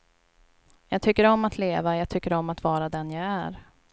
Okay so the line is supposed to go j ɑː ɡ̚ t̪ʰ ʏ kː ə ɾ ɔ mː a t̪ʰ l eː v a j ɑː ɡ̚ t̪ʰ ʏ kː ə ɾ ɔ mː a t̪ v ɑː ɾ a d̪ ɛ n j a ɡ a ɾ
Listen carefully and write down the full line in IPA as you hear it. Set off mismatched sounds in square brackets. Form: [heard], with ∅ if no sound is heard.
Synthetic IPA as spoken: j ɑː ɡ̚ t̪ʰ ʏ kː ə ɾ ɔ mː a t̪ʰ l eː v a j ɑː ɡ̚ t̪ʰ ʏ kː ə ɾ ɔ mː a t̪ v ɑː ɾ a d̪ ɛ n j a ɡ [æ] ɾ